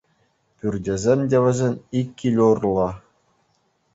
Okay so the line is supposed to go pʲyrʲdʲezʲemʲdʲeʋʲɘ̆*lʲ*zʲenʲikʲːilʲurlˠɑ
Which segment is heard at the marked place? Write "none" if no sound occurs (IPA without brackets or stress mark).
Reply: none